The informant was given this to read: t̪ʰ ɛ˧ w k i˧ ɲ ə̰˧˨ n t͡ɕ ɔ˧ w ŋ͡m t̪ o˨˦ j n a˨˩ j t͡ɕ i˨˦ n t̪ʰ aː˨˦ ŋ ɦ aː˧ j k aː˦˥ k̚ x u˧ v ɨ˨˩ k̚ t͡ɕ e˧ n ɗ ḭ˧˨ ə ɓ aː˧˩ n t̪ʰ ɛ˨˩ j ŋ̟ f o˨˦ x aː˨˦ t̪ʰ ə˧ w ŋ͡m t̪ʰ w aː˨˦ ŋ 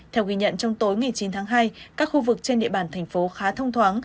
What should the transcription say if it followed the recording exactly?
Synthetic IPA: t̪ʰ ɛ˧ w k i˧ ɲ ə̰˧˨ n t͡ɕ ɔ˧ w ŋ͡m t̪ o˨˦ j ŋ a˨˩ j t͡ɕ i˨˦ n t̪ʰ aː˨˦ ŋ ɦ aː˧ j k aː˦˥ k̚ x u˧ v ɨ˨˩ k̚ t͡ɕ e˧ n ɗ ḭ˧˨ ə ɓ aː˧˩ n t̪ʰ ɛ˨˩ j ŋ̟ f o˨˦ x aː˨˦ t̪ʰ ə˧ w ŋ͡m t̪ʰ w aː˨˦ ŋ